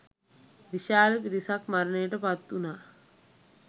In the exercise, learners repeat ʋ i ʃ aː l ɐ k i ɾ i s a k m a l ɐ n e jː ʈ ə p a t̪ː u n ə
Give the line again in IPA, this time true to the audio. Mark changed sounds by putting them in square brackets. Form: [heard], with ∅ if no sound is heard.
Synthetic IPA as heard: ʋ i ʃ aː l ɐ [p] i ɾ i s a k m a [ɾ] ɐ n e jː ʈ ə p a t̪ː u n [a]